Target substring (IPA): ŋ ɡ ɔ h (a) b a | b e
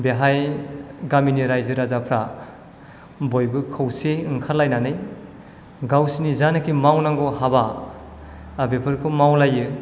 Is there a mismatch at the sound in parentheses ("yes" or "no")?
no